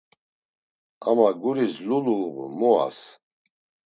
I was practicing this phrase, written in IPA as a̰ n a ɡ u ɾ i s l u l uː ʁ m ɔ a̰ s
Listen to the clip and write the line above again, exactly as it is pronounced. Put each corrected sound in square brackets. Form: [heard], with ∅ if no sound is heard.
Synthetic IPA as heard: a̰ [m] a ɡ u ɾ i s l u l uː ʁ m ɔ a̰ s

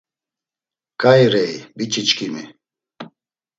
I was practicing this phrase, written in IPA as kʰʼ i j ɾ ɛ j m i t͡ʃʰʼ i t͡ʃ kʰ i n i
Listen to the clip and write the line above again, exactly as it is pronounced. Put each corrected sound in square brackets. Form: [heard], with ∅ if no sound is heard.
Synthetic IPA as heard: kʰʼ [a] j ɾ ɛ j [b] i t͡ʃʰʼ i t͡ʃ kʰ i [m] i

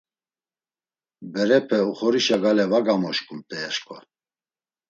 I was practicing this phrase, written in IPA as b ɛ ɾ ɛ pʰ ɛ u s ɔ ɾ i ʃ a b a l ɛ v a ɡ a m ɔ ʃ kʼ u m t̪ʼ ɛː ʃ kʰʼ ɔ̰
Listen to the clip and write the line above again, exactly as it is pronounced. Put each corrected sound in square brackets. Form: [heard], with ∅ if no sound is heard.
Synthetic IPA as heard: b ɛ ɾ ɛ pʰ ɛ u [χ] ɔ ɾ i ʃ a [ɡ] a l ɛ v a ɡ a m ɔ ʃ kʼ u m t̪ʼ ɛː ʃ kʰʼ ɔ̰

